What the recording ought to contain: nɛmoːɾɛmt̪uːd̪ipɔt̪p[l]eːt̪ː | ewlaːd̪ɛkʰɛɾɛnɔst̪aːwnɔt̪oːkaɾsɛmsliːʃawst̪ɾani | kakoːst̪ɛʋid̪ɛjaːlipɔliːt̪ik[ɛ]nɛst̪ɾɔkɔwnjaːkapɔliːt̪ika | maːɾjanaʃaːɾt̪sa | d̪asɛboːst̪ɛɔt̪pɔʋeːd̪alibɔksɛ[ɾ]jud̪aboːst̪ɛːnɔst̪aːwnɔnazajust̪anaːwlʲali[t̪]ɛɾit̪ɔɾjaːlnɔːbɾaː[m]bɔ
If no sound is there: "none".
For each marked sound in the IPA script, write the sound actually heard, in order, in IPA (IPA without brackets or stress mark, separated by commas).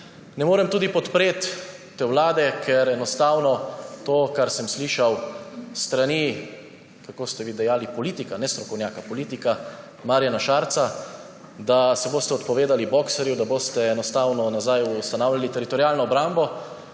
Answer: ɾ, a, ɾ, t̪, m